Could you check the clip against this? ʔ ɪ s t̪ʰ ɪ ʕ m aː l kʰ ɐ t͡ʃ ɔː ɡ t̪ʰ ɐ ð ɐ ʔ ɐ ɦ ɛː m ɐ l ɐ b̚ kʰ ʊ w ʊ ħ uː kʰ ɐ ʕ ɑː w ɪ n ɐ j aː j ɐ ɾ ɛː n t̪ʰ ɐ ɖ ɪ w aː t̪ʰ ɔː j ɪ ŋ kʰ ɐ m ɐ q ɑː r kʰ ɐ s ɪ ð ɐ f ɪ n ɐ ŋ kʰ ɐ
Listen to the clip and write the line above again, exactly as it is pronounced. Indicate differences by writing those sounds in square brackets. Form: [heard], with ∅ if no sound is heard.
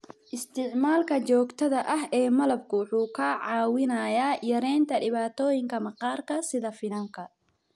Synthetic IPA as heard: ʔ ɪ s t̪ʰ ɪ ʕ m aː l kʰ ɐ t͡ʃ ɔː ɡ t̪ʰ ɐ ð ɐ ʔ ɐ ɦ ɛː m ɐ l ɐ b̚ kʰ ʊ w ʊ ħ uː kʰ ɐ ʕ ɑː w ɪ n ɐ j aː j ɐ ɾ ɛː n t̪ʰ ɐ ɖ ɪ [β] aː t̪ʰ ɔː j ɪ ŋ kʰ ɐ m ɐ q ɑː r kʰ ɐ s ɪ ð ɐ f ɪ n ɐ ŋ kʰ ɐ